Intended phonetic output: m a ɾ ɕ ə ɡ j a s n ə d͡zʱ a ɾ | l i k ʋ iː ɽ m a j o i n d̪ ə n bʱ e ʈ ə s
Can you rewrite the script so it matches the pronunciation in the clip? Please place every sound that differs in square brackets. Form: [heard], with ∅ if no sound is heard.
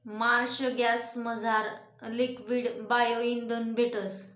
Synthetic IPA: m a ɾ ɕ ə ɡ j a s [m] ə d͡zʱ a ɾ | l i k ʋ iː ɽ [b] a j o i n d̪ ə n bʱ e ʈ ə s

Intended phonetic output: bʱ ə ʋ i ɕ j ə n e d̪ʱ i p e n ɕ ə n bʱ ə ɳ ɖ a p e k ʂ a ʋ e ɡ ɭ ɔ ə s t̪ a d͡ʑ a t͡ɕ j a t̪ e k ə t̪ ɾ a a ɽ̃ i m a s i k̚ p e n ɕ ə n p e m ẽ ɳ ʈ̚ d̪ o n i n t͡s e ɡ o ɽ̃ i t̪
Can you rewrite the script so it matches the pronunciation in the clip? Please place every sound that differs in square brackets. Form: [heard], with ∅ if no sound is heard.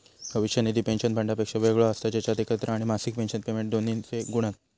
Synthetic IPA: bʱ ə ʋ i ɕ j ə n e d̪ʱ i p e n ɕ ə n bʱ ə ɳ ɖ a p e k ʂ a ʋ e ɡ ɭ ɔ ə s t̪ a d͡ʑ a t͡ɕ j a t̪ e k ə t̪ ɾ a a ɽ̃ i m a s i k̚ p e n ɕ ə n p e m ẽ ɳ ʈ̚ d̪ o n i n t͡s e ɡ [u] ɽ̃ [a] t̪

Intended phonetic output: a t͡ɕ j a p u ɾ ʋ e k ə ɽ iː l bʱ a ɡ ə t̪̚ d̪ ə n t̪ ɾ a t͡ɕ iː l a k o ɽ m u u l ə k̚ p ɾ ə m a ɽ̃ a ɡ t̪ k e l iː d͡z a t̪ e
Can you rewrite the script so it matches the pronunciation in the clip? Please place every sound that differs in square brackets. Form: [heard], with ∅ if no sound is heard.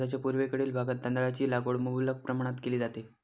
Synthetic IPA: a t͡ɕ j a p u ɾ ʋ e k ə ɽ iː l bʱ a ɡ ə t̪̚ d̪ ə n [d̪] ɾ a t͡ɕ iː l a [ɡ] o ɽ m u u l ə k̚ p ɾ ə m a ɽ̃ a [∅] t̪ k e l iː d͡z a t̪ e

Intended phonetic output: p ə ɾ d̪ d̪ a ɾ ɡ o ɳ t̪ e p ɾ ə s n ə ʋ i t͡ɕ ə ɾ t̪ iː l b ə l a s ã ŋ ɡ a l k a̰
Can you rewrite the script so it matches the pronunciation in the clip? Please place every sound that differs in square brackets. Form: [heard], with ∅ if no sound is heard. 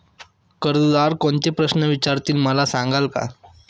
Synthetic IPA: [k] ə ɾ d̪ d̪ a ɾ [k] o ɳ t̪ e p ɾ ə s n ə ʋ i t͡ɕ [a] ɾ t̪ iː l [m] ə l a s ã ŋ ɡ a l k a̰

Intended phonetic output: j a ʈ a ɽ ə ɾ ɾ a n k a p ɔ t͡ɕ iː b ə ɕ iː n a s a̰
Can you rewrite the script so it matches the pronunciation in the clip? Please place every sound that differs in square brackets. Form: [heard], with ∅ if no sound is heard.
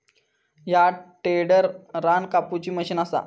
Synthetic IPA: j a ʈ [e] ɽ ə ɾ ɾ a n k a p [u] t͡ɕ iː [m] ə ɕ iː n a s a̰

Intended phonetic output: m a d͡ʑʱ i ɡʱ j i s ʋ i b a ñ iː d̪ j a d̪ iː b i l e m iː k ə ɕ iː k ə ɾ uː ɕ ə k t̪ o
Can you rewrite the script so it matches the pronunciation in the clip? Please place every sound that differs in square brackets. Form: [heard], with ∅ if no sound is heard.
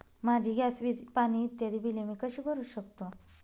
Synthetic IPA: m a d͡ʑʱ i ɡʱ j [a] s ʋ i [p] a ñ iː [t̪] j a d̪ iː b i l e m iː k ə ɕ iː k ə ɾ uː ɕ ə k t̪ o

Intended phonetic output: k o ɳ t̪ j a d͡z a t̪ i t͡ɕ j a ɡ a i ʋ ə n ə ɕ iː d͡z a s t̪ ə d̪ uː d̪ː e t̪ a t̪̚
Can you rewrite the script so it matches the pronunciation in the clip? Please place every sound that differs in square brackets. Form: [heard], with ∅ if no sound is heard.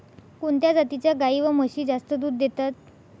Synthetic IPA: k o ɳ t̪ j a d͡z a t̪ i t͡ɕ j a ɡ a i ʋ ə [m] ə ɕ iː d͡z a s t̪ ə d̪ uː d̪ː e t̪ a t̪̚

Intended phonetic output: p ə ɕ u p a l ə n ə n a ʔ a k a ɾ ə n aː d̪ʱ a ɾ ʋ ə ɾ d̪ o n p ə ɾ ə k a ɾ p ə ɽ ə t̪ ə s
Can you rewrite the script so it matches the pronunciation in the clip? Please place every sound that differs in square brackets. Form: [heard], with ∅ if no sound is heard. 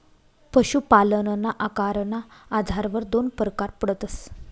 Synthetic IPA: p ə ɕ u p a l ə n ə n a ʔ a k a ɾ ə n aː d̪ʱ a ɾ ʋ ə ɾ d̪ o n p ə ɾ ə k a ɾ p ə ɽ ə t̪ ə s

